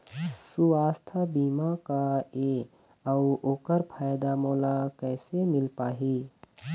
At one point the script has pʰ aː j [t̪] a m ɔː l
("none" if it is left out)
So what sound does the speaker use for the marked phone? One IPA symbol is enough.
d̪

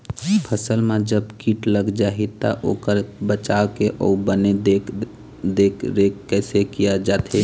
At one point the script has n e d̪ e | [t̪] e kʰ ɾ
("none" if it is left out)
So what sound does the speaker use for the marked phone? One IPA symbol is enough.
d̪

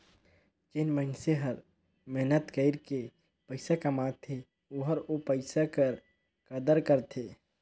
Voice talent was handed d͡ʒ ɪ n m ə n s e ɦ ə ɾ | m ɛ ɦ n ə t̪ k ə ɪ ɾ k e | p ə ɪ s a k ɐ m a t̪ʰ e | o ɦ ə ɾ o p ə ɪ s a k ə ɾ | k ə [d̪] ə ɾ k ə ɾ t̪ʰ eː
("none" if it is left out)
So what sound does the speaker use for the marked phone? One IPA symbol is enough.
d̪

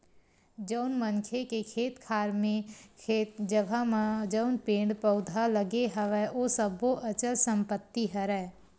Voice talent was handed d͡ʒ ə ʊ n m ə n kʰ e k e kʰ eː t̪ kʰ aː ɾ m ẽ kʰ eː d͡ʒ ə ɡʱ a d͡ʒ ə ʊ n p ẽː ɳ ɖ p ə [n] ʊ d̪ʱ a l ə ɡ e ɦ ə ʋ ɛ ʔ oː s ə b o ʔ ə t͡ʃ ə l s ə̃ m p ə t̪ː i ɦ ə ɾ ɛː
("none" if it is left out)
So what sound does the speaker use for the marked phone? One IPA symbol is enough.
none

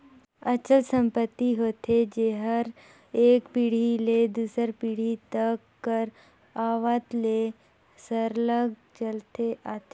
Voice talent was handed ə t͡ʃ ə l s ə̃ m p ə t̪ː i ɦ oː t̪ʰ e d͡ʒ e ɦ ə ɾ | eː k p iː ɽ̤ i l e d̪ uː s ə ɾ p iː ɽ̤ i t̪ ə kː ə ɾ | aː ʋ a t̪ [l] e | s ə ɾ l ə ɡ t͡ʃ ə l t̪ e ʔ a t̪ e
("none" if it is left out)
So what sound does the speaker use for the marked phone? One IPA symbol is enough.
l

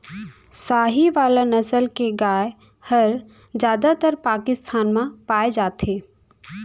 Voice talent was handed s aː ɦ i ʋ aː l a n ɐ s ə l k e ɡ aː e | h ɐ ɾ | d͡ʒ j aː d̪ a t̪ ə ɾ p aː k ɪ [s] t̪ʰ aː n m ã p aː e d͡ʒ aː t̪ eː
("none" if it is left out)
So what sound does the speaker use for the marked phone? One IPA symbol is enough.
s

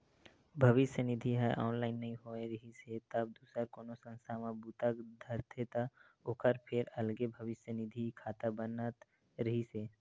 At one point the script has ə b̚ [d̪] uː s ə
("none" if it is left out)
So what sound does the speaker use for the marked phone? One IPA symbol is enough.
d̪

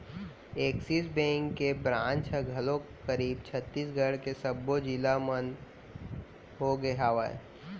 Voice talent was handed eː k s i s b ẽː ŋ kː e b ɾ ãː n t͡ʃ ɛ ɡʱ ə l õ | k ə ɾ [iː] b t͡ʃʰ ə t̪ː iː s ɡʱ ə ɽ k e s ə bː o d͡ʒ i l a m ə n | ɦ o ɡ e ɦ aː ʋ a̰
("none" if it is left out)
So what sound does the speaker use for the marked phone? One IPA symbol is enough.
iː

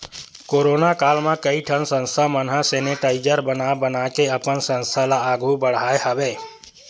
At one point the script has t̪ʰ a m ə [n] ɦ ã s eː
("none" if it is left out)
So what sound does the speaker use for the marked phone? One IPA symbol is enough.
n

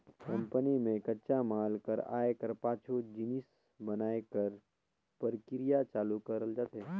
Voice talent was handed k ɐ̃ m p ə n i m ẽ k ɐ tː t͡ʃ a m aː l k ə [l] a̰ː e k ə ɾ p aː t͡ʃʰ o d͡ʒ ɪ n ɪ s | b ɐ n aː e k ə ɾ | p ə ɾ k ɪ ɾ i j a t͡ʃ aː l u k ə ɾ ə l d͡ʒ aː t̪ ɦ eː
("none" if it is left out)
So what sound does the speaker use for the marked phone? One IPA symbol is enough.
ɾ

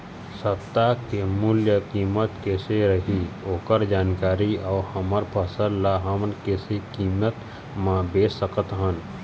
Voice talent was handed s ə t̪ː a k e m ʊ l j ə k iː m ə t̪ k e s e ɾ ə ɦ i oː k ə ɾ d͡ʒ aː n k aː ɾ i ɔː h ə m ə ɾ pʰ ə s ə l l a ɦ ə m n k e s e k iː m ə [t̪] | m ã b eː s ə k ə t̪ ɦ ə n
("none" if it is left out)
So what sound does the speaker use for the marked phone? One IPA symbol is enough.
t̪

